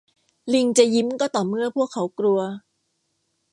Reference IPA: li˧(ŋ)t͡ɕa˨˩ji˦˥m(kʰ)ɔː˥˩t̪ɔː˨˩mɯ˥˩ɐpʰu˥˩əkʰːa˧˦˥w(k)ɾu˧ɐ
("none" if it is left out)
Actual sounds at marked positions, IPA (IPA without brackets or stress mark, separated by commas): ŋ, k, k